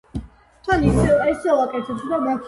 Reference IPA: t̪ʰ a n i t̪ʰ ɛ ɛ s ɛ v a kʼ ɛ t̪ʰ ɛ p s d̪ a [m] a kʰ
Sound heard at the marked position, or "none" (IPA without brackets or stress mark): m